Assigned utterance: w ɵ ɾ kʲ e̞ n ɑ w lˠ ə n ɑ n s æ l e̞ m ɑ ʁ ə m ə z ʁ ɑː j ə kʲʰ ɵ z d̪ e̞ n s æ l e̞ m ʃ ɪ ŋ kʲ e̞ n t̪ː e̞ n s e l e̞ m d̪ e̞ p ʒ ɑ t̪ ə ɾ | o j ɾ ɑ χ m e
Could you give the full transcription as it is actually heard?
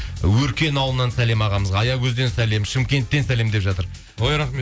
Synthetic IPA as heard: w ɵ ɾ kʲ e̞ n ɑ w lˠ ə n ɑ n s æ l e̞ m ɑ ʁ ɑ m ə z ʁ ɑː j ɑ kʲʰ ɵ z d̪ e̞ n s æ l e̞ m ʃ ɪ m kʲ e̞ n t̪ː e̞ n s æ l e̞ m d̪ e̞ p ʒ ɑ t̪ ə ɾ | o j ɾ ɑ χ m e